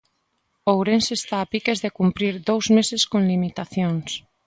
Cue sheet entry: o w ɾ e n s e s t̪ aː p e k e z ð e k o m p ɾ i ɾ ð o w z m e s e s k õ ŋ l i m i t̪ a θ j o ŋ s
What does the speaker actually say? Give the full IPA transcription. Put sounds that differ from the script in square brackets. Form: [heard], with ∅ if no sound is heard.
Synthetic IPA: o w ɾ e n s e s t̪ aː p [i] k e z ð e k [u] m p ɾ i ɾ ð o w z m e s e s k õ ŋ l i m i t̪ a θ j o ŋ s